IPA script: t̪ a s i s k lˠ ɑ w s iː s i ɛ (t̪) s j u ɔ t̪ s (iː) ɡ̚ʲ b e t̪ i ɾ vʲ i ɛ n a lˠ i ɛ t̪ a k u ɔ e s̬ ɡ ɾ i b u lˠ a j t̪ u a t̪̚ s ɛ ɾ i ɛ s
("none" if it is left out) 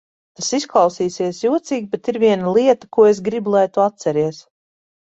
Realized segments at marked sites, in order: none, iː

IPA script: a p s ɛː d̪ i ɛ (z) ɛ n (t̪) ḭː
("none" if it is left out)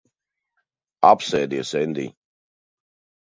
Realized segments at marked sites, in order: s, d̪

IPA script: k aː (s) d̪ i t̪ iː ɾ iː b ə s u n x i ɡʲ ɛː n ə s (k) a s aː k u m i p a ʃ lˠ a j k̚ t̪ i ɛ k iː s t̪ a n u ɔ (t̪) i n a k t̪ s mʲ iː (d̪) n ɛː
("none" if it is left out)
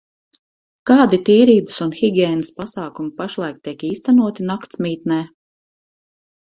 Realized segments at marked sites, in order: none, p, t̪, t̪

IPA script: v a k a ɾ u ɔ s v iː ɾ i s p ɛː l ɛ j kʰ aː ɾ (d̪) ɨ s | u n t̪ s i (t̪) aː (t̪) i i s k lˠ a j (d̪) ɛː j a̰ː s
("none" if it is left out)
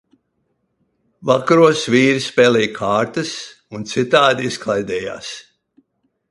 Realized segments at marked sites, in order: t̪, t̪, d̪, d̪

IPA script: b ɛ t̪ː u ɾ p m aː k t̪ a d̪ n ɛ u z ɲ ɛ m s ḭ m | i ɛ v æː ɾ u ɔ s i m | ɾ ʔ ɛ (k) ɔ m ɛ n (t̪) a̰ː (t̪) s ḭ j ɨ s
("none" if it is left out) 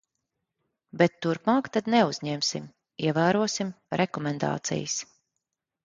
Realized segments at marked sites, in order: k, d̪, t̪

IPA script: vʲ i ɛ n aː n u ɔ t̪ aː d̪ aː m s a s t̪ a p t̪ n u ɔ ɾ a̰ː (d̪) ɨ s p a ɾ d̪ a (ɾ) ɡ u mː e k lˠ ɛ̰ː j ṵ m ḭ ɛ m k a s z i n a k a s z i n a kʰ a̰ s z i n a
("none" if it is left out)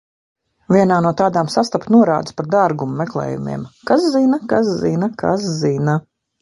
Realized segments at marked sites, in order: d̪, ɾ

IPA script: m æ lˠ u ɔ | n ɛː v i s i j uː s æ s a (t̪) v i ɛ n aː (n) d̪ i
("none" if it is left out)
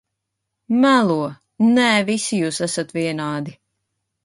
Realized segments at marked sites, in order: t̪, none

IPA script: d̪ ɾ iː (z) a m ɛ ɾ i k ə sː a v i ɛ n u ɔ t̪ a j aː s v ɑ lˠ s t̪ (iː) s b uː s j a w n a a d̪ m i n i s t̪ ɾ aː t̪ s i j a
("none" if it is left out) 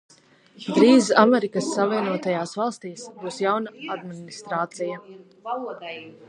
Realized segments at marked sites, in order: z, iː

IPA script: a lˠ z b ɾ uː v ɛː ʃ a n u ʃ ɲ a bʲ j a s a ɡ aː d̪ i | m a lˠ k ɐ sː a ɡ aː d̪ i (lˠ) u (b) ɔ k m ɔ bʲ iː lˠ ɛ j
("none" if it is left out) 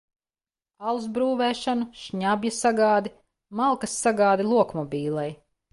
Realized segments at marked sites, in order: lˠ, none

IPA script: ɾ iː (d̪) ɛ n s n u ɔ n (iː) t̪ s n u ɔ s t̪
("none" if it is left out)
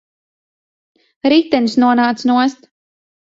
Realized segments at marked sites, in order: t̪, aː

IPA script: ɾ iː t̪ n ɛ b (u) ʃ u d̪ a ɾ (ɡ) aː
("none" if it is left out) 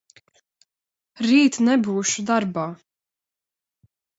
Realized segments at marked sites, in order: uː, b

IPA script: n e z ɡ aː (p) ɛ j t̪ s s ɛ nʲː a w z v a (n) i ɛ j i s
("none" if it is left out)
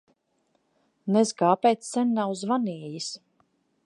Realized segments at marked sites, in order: p, n

